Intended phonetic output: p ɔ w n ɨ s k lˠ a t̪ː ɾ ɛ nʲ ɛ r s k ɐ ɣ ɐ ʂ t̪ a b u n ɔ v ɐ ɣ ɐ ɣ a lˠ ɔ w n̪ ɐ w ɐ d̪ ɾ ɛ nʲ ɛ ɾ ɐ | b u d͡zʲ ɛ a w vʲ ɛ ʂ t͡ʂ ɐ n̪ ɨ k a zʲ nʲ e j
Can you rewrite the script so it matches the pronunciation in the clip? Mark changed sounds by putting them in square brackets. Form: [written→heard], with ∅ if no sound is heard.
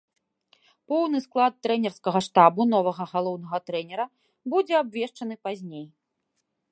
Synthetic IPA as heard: p ɔ w n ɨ s k lˠ a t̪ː ɾ ɛ nʲ ɛ r s k ɐ ɣ ɐ ʂ t̪ a b u n ɔ v ɐ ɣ ɐ ɣ a lˠ ɔ w n̪ ɐ [w→ɣ] ɐ [d̪→t̪] ɾ ɛ nʲ ɛ ɾ ɐ | b u d͡zʲ ɛ a [w→b] vʲ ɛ ʂ t͡ʂ ɐ n̪ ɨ [k→p] a zʲ nʲ e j